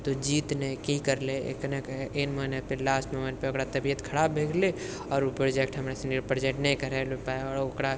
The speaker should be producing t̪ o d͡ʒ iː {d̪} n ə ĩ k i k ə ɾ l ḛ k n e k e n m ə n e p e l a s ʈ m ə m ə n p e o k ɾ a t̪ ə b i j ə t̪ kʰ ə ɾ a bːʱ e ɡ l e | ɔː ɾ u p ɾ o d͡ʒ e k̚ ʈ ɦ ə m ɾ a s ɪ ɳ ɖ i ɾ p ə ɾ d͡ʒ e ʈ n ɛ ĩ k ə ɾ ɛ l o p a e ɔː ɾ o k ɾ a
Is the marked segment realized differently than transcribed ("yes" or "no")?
yes